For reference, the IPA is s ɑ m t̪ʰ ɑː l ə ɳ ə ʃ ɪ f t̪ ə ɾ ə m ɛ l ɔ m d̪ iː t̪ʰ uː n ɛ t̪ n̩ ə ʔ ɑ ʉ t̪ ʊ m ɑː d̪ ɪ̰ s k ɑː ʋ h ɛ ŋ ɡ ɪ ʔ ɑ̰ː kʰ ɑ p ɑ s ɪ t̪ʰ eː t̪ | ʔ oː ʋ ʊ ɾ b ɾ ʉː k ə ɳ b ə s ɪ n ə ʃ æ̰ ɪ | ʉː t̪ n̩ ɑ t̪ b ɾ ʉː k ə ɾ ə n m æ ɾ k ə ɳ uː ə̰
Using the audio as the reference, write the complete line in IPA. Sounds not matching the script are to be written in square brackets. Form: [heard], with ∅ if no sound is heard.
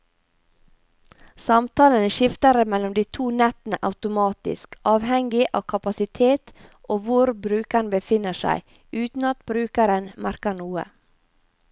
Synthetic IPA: s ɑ m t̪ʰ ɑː l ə [n] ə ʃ ɪ f t̪ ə ɾ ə m ɛ l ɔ m d̪ iː t̪ʰ uː n ɛ t̪ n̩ ə ʔ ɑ ʉ t̪ ʊ m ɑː [t̪] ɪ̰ s k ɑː ʋ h ɛ ŋ ɡ ɪ ʔ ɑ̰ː kʰ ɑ p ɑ s ɪ t̪ʰ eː t̪ | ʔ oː ʋ ʊ ɾ b ɾ ʉː k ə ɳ b ə [f] ɪ n ə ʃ æ̰ ɪ | ʉː t̪ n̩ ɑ t̪ b ɾ ʉː k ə ɾ ə n m æ ɾ k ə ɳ uː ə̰